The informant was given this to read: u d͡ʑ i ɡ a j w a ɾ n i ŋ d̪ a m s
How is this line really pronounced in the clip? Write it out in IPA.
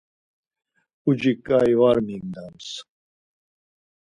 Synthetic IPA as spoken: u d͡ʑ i k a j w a ɾ m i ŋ d̪ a m s